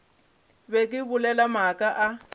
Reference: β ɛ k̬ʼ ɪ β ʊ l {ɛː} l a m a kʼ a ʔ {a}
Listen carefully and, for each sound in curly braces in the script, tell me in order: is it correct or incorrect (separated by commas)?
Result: incorrect, correct